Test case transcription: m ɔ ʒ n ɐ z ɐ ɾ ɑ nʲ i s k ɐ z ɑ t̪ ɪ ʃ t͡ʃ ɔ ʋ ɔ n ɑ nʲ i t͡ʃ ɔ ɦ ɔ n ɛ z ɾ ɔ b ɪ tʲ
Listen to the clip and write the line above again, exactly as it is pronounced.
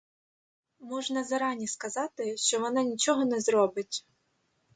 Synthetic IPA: m ɔ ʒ n ɐ z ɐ ɾ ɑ nʲ i s k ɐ z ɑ t̪ ɪ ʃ t͡ʃ ɔ ʋ ɔ n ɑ nʲ i t͡ʃ ɔ ɦ ɔ n ɛ z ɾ ɔ b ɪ tʲ